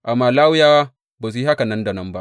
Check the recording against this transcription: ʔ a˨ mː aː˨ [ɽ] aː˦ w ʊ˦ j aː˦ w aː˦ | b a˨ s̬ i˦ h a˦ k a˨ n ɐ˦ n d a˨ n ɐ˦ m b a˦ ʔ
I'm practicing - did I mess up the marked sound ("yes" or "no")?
yes